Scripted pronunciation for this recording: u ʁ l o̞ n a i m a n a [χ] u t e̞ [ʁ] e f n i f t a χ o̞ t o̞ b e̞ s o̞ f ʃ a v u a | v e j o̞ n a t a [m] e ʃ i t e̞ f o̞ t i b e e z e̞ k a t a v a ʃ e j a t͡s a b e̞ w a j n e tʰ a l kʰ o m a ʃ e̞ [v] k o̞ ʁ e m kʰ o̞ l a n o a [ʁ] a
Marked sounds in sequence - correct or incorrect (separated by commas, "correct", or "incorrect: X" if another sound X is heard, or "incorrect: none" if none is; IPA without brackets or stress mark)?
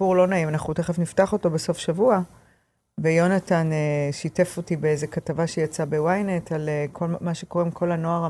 correct, incorrect: χ, incorrect: n, incorrect: none, correct